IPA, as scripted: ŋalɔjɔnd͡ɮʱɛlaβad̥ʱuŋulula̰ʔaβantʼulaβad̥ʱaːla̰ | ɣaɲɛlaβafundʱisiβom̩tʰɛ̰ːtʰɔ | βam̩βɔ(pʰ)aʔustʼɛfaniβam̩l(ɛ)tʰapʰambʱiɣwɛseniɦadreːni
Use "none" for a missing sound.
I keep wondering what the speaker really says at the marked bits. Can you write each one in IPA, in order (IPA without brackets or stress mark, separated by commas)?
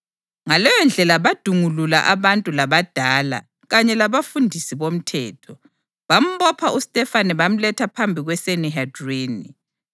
pʰ, ɛ